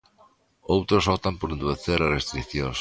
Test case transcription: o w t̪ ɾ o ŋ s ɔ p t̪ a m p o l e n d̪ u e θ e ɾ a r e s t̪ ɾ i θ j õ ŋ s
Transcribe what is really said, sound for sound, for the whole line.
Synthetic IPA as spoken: o w t̪ ɾ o s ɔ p t̪ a m p o ɾ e n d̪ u e θ e ɾ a r e s t̪ ɾ i θ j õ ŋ s